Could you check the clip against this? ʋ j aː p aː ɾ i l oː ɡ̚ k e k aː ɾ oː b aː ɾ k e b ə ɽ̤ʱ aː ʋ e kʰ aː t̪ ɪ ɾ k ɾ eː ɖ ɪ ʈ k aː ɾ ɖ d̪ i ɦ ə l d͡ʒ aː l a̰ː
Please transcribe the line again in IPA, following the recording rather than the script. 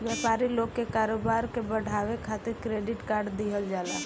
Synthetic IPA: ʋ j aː p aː ɾ i l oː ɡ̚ k e k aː ɾ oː b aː ɾ k e b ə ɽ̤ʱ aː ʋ e kʰ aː t̪ ɪ ɾ k ɾ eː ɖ ɪ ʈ k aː ɾ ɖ d̪ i ɦ ə l d͡ʒ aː l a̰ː